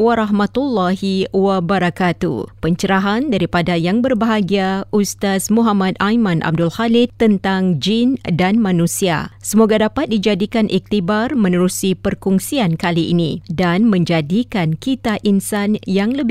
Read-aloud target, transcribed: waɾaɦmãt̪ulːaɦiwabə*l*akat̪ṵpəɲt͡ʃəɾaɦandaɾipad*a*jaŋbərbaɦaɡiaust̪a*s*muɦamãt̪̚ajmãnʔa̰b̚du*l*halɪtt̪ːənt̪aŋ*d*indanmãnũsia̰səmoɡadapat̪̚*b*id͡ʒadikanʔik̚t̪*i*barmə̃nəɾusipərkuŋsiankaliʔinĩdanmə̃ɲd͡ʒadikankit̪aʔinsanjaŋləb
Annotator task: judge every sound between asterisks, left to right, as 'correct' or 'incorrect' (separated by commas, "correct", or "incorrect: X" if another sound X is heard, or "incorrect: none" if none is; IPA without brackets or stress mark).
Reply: incorrect: ɾ, correct, correct, correct, incorrect: d͡ʒ, incorrect: d, correct